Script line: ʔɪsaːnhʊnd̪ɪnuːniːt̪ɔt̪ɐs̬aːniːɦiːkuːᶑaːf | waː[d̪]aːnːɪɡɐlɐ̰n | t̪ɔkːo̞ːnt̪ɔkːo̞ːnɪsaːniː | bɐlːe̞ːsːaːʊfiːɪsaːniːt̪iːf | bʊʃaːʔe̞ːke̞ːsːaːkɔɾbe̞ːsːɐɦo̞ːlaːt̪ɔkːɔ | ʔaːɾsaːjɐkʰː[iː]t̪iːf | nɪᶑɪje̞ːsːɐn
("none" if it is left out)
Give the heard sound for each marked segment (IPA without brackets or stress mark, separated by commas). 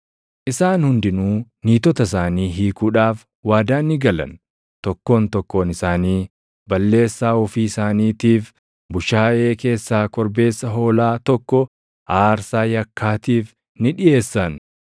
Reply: d̪, aː